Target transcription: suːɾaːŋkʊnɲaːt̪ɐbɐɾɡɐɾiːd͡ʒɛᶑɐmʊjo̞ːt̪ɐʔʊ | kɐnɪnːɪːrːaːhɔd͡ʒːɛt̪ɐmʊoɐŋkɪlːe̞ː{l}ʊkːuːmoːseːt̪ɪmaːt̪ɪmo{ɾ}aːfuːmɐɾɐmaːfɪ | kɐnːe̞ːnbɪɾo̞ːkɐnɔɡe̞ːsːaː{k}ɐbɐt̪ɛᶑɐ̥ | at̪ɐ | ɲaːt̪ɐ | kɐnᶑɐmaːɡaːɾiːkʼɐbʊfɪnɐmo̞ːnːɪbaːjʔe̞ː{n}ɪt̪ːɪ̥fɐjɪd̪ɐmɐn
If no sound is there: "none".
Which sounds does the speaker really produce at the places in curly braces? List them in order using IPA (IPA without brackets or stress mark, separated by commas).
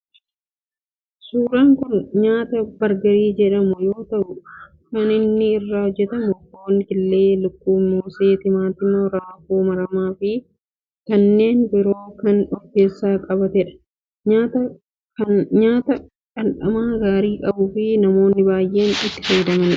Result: l, ɾ, kʼ, n